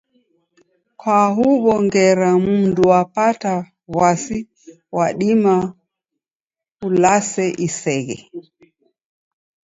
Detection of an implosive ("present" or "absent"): present